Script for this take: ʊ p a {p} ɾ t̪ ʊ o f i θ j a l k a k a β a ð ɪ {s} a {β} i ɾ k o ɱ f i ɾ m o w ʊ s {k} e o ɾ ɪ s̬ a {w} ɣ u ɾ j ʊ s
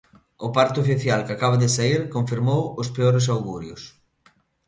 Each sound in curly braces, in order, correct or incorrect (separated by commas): incorrect, correct, incorrect, incorrect, correct